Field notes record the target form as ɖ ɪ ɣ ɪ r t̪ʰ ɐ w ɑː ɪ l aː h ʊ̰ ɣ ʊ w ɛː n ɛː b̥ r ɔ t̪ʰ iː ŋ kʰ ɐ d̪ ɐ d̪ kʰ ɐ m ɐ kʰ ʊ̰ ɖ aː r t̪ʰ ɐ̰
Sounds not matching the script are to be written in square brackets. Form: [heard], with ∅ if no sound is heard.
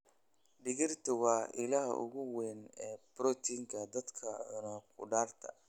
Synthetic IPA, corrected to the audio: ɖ ɪ ɣ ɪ r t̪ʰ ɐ w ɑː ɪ l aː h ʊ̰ ɣ ʊ w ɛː n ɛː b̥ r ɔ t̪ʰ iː ŋ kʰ ɐ d̪ ɐ d̪ kʰ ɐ [n] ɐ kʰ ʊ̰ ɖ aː r t̪ʰ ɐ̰